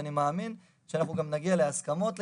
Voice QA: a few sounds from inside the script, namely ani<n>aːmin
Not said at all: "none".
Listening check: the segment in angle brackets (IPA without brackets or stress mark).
m